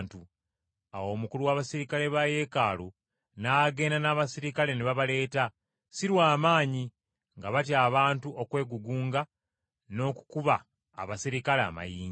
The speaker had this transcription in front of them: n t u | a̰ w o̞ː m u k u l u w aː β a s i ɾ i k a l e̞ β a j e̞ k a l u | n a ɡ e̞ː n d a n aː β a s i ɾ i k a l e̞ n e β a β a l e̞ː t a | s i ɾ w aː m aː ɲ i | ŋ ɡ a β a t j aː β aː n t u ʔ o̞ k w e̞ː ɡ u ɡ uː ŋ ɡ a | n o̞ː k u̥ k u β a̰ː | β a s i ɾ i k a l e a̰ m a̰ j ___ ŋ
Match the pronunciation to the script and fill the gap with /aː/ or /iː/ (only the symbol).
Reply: iː